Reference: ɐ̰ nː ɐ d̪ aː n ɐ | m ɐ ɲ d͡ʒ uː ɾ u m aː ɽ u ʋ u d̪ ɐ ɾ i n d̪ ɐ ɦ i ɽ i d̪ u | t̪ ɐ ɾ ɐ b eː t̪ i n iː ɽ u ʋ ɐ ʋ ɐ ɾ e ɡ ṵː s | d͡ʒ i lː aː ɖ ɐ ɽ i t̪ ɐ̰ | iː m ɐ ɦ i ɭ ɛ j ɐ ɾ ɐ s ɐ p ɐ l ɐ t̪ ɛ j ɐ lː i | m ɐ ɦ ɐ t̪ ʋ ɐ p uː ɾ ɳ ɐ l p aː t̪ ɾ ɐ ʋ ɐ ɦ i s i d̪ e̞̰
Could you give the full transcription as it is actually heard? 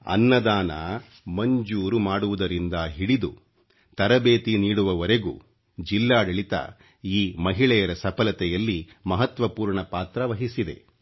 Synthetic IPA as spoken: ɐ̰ nː ɐ d̪ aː n ɐ | m ɐ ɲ d͡ʒ uː ɾ u m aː ɽ u ʋ u d̪ ɐ ɾ i n d̪ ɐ ɦ i ɽ i d̪ u | t̪ ɐ ɾ ɐ b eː t̪ i n iː ɽ u ʋ ɐ ʋ ɐ ɾ e ɡ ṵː | d͡ʒ i lː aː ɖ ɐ ɭ i t̪ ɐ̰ | iː m ɐ ɦ i ɭ ɛ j ɐ ɾ ɐ s ɐ p ɐ l ɐ t̪ ɛ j ɐ lː i | m ɐ ɦ ɐ t̪ ʋ ɐ p uː ɾ ɳ ɐ p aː t̪ ɾ ɐ ʋ ɐ ɦ i s i d̪ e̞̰